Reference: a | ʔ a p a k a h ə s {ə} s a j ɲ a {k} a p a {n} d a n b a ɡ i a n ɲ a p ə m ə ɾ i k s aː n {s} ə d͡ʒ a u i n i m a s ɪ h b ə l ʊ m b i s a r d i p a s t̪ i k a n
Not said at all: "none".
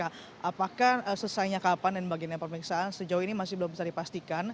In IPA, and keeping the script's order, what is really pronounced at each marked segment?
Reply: ə, k, n, s

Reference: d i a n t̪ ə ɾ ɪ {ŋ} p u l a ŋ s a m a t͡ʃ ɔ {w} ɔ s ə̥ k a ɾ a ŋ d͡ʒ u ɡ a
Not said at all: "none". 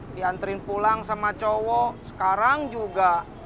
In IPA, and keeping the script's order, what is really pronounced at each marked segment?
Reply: n, w

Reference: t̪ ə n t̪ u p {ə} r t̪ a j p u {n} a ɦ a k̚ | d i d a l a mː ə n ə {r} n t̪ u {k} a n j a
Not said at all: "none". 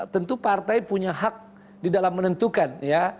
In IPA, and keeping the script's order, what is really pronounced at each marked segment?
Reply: a, ɲ, none, k

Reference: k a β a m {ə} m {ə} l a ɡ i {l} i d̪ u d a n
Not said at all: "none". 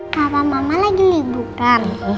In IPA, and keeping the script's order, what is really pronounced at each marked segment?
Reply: a, a, l

